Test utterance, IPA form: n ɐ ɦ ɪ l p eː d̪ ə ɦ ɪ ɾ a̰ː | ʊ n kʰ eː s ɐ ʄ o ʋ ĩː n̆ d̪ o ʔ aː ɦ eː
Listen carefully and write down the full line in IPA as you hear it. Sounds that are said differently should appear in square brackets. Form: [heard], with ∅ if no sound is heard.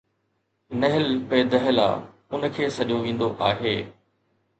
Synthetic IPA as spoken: n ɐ ɦ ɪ l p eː d̪ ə ɦ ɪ [l] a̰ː | ʊ n kʰ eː s ɐ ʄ o ʋ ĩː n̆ d̪ o ʔ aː ɦ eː